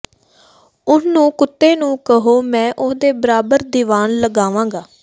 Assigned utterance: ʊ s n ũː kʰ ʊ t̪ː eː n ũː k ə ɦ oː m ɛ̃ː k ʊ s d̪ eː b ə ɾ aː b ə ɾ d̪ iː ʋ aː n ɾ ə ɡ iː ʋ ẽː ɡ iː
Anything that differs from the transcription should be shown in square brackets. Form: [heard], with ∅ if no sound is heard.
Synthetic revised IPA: ʊ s n ũː [k] ʊ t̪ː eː n ũː k ə ɦ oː m ɛ̃ː [ʔ] ʊ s d̪ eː b ə ɾ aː b ə ɾ d̪ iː ʋ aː n [l] ə ɡ [aː] ʋ [ãː] ɡ [aː]